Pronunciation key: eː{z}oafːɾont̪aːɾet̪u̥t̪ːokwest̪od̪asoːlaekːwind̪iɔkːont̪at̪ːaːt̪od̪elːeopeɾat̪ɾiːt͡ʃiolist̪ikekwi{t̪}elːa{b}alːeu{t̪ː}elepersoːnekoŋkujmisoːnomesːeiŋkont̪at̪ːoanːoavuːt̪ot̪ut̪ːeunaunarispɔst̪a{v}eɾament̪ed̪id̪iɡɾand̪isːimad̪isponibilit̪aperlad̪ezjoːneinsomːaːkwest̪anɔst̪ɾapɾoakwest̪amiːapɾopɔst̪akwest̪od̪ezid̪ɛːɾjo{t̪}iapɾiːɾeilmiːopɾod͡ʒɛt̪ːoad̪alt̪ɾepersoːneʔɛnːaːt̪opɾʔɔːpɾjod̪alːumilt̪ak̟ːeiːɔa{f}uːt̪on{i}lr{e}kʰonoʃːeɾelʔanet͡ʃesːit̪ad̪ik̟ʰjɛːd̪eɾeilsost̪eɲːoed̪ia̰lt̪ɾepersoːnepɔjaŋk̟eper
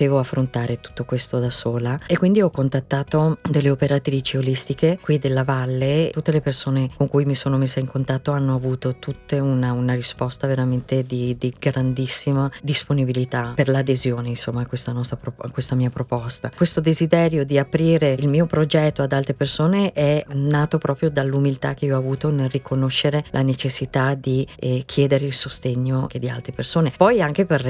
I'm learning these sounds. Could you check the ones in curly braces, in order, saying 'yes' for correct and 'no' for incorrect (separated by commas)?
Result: no, no, no, yes, yes, no, no, no, no